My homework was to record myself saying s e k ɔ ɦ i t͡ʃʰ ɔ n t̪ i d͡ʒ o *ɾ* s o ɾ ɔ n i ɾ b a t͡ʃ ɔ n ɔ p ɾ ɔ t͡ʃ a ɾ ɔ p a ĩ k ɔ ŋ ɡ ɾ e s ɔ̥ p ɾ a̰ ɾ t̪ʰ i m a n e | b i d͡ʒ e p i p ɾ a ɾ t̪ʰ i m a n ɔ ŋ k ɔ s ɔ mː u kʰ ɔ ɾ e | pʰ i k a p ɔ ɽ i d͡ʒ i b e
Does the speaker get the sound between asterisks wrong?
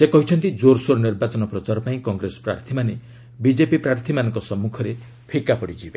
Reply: no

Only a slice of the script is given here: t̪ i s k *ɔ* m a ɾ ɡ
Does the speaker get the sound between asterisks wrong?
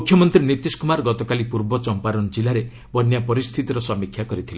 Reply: yes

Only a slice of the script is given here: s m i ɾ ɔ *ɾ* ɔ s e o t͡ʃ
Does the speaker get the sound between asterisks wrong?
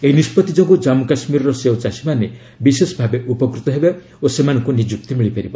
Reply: no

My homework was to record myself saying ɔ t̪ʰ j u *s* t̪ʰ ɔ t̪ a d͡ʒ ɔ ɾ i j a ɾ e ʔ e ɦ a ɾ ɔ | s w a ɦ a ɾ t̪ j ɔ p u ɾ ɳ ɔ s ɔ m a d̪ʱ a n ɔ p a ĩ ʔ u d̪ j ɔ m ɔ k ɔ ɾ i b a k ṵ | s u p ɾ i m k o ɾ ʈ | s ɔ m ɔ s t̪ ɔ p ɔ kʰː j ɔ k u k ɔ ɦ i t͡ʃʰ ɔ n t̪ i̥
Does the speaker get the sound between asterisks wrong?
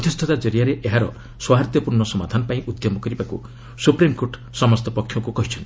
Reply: no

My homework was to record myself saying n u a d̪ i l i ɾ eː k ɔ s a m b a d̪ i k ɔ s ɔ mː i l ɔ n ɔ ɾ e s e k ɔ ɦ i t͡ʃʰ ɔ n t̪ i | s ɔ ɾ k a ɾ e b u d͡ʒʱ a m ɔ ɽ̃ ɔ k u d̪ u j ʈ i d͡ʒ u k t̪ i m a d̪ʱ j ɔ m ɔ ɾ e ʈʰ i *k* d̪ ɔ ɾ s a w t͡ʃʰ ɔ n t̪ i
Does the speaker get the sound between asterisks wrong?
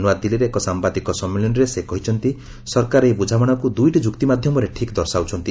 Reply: no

